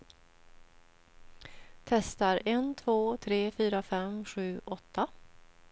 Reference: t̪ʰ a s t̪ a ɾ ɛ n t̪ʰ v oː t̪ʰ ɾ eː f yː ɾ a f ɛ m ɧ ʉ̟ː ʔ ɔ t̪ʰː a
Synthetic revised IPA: t̪ʰ ɛ s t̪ a ɾ ɛ n t̪ʰ v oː t̪ʰ ɾ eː f yː ɾ a f ɛ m ɧ ʉ̟ː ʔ ɔ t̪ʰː a